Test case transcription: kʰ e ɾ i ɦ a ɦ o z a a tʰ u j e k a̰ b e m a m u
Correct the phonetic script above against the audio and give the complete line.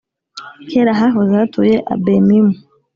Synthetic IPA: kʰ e ɾ a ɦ a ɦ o z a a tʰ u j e ʔ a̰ b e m i m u